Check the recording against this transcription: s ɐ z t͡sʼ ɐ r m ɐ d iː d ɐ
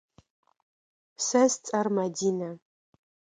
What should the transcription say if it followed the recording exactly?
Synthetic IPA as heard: s ɐ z t͡sʼ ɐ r m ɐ d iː n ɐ